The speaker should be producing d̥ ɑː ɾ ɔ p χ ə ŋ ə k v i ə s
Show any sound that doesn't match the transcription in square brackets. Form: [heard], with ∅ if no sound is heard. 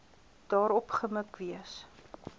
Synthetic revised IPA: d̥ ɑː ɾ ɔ p χ ə [m] ə k v i ə s